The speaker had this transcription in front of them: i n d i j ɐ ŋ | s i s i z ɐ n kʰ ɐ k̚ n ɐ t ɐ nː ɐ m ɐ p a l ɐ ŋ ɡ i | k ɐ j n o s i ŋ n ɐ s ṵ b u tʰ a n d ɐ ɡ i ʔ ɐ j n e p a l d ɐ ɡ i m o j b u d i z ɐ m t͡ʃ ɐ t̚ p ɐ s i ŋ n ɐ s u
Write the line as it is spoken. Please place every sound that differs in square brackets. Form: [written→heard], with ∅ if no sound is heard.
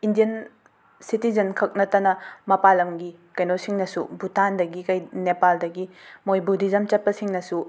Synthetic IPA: i n d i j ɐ [ŋ→n] | s i [s→t] i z ɐ n kʰ ɐ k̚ n ɐ t ɐ [nː→n] ɐ m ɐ p a l ɐ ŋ ɡ i | k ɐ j n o s i ŋ n ɐ s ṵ b u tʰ a n d ɐ ɡ i [ʔ→k] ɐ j n e p a l d ɐ ɡ i m o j b u d i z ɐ m t͡ʃ ɐ t̚ p ɐ s i ŋ n ɐ s u